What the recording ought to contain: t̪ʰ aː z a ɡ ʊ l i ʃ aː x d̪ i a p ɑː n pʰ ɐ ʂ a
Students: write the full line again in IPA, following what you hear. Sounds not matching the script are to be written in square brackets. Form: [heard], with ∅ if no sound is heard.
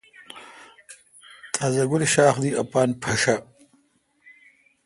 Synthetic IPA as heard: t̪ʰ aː z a ɡ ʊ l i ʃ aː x d̪ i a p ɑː n pʰ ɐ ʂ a